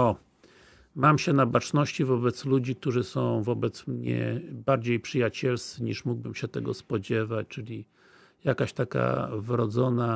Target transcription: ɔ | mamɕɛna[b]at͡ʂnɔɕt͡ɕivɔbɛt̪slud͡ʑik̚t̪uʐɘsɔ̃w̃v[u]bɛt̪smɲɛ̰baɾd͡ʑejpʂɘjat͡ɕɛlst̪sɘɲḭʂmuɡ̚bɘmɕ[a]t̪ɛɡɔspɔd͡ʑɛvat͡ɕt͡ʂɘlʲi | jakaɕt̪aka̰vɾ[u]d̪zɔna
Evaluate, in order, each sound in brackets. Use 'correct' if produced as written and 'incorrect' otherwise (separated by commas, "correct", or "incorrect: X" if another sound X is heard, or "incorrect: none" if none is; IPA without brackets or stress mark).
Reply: correct, incorrect: ɔ, incorrect: ɛ, incorrect: ɔ